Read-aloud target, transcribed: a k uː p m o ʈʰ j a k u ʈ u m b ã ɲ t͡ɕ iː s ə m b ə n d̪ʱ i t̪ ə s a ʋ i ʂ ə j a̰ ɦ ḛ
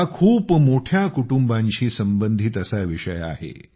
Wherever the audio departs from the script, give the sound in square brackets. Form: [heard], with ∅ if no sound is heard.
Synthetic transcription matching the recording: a [kʰ] uː p m o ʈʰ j a k u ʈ u m b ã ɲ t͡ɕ iː s ə m b ə n d̪ʱ i t̪ ə s a ʋ i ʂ ə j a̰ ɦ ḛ

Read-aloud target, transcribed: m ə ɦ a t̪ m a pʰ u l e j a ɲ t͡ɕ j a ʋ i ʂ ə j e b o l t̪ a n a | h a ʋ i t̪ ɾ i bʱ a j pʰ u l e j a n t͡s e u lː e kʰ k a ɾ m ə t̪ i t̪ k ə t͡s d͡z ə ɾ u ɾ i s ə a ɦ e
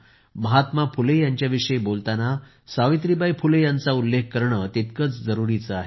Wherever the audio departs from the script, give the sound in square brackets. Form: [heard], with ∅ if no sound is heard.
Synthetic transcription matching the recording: m ə ɦ a t̪ m a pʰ u l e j a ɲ t͡ɕ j a ʋ i ʂ ə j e b o l t̪ a n a | [s] a ʋ i t̪ ɾ i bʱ a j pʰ u l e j a n t͡s [a] u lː e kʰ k [ə] ɾ [ɳ] ə t̪ i t̪ k ə t͡s d͡z ə ɾ u ɾ i [t͡s] ə a ɦ e

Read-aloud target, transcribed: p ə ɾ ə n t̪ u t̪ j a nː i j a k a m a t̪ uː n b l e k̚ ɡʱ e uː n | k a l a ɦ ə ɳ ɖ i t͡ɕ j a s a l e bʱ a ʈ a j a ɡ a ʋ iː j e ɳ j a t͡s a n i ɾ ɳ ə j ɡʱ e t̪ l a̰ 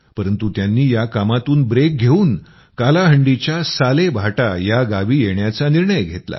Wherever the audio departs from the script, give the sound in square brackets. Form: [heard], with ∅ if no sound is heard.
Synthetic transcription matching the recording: p ə ɾ ə n t̪ u t̪ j a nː [iː] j a k a m a t̪ uː n b [ɾ] e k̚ ɡʱ e uː n | k a l a ɦ ə ɳ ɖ i t͡ɕ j a s a l e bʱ a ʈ a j a ɡ a ʋ iː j e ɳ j a t͡s a n i ɾ ɳ ə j ɡʱ e t̪ l a̰

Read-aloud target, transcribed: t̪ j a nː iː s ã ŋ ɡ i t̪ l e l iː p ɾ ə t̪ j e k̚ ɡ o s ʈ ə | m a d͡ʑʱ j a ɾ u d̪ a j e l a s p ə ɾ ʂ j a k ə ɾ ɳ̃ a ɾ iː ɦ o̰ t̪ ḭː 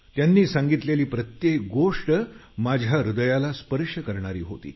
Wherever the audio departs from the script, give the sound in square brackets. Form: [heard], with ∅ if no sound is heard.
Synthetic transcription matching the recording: t̪ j a nː iː s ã ŋ ɡ i t̪ l e l iː p ɾ ə t̪ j e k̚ ɡ o [ʂ] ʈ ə | m a d͡ʑʱ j a ɾ u d̪ [ə] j [a] l a s p ə ɾ ʂ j [ə] k ə ɾ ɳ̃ a ɾ iː ɦ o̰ t̪ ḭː

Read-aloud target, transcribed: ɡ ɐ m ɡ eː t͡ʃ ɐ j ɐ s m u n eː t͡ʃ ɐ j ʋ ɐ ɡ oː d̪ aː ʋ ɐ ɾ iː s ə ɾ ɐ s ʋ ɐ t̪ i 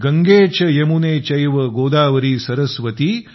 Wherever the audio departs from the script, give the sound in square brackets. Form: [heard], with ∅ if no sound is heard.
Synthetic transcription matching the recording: ɡ ɐ [ŋ] ɡ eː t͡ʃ ɐ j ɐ [∅] m u n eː t͡ʃ ɐ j ʋ ɐ ɡ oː d̪ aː ʋ ɐ ɾ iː s [ɐ] ɾ ɐ s ʋ ɐ t̪ i

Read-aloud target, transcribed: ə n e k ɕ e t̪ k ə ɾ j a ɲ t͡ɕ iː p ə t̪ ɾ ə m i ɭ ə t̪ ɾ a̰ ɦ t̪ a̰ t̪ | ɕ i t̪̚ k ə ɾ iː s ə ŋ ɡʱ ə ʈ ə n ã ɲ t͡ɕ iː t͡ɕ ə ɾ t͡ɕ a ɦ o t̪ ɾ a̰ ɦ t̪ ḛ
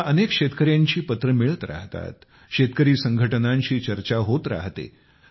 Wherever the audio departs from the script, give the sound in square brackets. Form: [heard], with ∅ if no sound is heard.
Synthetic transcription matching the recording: ə n e k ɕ e t̪ k ə ɾ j a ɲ t͡ɕ iː p ə t̪ ɾ ə m i ɭ ə t̪ ɾ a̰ ɦ t̪ a̰ t̪ | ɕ [e] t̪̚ k ə ɾ iː s ə ŋ ɡʱ ə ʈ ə n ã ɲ t͡ɕ iː t͡ɕ ə ɾ t͡ɕ a ɦ o t̪ ɾ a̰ ɦ t̪ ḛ

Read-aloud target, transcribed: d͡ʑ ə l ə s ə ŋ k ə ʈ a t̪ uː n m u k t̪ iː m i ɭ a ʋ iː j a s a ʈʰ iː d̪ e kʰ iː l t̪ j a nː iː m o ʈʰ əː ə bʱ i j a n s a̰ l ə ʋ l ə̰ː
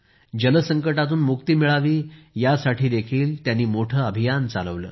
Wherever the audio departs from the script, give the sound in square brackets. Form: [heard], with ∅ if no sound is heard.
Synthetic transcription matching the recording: d͡ʑ ə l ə s ə ŋ k ə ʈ a t̪ uː n m u k t̪ iː m i ɭ a ʋ iː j a s a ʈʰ iː d̪ e kʰ iː l t̪ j a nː iː m o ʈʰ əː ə bʱ i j a n [t͡s] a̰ l ə ʋ l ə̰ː

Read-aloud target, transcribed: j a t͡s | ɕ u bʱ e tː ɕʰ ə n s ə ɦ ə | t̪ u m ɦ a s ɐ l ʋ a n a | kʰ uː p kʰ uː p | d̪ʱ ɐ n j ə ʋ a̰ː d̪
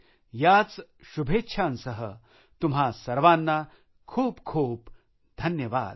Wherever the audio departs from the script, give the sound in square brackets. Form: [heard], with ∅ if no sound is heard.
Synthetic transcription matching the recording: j a t͡s | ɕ u bʱ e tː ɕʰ [a] n s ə ɦ ə | t̪ u m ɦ a s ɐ [ɾ] ʋ a [nː] a | kʰ uː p kʰ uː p | d̪ʱ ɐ n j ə ʋ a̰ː d̪

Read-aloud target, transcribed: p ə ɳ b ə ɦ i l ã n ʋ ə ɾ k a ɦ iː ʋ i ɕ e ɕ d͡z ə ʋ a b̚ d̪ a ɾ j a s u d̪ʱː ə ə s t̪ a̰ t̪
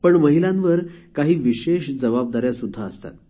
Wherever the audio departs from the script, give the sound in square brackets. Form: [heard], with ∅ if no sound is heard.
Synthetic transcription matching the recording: p ə ɳ [m] ə ɦ i l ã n ʋ ə ɾ k a ɦ iː ʋ i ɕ e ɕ d͡z ə ʋ a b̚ d̪ a ɾ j a s u d̪ʱː [a] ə s t̪ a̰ t̪

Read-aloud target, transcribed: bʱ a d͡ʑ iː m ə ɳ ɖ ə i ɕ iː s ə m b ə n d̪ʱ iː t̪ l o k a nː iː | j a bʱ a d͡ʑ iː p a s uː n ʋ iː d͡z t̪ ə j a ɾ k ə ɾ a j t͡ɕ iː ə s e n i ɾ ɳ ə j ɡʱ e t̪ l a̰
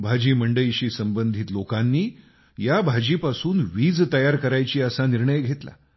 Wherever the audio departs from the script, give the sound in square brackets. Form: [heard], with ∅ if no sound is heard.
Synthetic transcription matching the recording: bʱ a d͡ʑ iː m ə ɳ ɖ ə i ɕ iː s ə m b ə n d̪ʱ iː t̪ l o k a nː iː | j a bʱ a d͡ʑ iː p a s uː n ʋ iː d͡z t̪ ə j a ɾ k ə ɾ a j t͡ɕ iː ə s [a] n i ɾ ɳ ə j ɡʱ e t̪ l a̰

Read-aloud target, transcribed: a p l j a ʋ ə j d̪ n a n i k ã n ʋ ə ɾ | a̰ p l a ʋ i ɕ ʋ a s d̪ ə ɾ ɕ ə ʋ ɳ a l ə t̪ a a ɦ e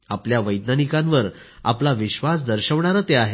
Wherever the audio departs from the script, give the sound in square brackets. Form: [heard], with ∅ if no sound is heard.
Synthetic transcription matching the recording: a p l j a ʋ ə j d̪ n a n i k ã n ʋ ə ɾ | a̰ p l a ʋ i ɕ ʋ a s d̪ ə ɾ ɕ ə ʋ ɳ a [ɾ] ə t̪ [e] a ɦ e

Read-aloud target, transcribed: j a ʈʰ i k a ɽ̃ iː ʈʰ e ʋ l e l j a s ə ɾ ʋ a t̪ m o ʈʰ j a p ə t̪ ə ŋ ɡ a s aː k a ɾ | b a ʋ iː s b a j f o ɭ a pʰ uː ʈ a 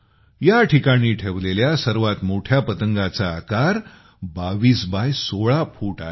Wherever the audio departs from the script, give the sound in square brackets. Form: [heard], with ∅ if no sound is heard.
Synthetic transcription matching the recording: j a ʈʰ i k a ɽ̃ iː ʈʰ e ʋ l e l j a s ə ɾ ʋ a t̪ m o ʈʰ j a p ə t̪ ə ŋ ɡ a [t͡s] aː k a ɾ | b a ʋ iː s b a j [s] o ɭ a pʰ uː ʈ a

